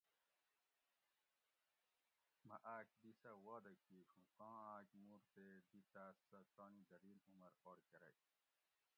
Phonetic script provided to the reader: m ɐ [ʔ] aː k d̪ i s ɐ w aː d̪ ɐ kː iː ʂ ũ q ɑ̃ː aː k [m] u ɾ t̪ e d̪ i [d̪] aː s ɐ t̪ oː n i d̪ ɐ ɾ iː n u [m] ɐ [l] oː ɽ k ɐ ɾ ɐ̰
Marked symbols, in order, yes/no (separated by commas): yes, yes, no, yes, no